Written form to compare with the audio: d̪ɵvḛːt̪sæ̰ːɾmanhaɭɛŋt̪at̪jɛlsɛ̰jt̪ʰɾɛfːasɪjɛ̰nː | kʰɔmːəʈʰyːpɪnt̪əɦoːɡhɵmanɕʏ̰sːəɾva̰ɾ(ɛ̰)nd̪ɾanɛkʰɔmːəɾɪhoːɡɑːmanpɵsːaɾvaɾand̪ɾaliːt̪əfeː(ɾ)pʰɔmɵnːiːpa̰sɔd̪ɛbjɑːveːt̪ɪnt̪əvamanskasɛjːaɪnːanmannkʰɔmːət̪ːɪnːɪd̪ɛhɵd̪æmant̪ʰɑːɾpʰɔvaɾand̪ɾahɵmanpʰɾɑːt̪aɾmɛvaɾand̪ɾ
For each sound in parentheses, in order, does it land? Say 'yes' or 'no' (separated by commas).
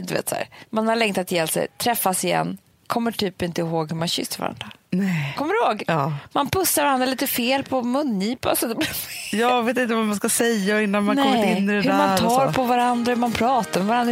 no, no